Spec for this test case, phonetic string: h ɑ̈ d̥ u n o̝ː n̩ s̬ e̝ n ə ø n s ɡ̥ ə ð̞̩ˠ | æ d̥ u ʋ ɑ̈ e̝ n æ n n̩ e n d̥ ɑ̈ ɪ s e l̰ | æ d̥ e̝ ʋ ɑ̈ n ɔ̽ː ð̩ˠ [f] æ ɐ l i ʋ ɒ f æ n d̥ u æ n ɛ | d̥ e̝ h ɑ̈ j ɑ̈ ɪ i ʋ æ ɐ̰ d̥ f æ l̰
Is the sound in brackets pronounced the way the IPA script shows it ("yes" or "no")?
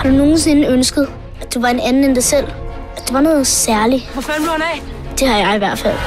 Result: no